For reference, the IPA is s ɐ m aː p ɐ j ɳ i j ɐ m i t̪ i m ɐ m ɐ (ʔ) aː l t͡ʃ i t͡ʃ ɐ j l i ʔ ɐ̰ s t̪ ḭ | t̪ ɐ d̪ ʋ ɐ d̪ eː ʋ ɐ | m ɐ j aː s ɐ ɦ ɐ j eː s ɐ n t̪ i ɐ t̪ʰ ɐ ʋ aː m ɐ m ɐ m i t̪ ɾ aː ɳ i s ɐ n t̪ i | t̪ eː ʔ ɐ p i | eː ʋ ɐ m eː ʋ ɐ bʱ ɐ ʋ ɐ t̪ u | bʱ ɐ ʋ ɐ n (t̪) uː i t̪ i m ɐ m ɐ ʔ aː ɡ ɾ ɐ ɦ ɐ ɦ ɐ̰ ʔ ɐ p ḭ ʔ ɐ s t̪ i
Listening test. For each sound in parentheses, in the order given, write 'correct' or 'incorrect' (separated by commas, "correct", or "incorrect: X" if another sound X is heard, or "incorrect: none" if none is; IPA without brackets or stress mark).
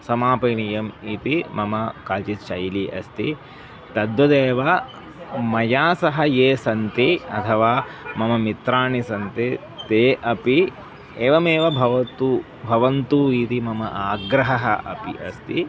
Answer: incorrect: k, correct